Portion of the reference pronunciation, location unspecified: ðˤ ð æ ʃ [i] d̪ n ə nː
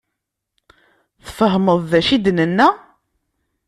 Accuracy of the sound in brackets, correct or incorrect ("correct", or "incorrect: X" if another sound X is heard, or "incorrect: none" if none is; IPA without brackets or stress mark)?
correct